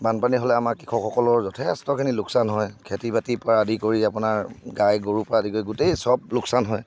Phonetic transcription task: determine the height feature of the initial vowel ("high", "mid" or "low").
low